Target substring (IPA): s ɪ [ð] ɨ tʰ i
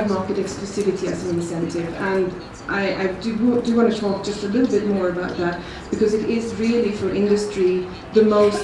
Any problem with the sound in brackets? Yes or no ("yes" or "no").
yes